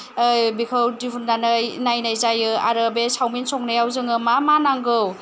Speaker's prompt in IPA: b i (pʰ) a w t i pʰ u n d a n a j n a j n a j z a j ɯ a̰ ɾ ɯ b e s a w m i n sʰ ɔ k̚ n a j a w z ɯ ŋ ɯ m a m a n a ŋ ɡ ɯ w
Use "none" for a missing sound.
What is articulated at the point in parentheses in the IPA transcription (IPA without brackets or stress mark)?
kʰ